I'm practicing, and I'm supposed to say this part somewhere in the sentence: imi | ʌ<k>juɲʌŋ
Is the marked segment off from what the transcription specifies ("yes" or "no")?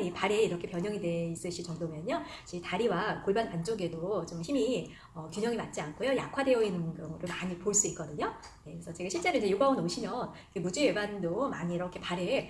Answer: no